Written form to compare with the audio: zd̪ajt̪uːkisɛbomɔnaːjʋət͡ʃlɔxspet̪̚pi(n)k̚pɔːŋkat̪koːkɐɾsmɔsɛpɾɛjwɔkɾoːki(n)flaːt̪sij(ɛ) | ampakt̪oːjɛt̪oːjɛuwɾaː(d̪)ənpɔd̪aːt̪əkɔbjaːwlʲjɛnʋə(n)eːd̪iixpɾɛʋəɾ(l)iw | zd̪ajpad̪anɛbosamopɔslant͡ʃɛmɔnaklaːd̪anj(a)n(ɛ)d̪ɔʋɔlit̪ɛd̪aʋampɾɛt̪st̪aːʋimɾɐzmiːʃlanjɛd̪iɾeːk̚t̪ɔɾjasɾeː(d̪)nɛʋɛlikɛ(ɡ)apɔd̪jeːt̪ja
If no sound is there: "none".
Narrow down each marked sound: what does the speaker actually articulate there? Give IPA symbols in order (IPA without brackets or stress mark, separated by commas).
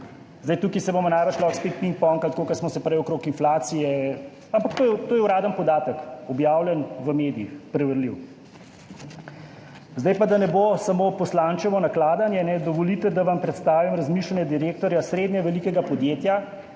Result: ŋ, n, ɛ, d̪, m, l, ɛ, ɛ, d̪, ɡ